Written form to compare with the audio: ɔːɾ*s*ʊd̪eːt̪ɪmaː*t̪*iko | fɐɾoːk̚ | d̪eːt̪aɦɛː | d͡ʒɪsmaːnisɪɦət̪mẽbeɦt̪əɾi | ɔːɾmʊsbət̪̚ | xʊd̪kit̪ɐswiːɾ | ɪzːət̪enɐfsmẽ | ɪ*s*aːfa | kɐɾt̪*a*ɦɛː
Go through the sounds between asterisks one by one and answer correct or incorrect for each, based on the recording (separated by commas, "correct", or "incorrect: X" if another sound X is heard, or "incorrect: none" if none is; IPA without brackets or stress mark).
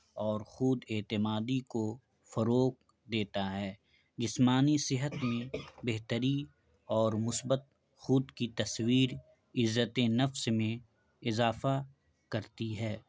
incorrect: x, incorrect: d̪, incorrect: z, incorrect: i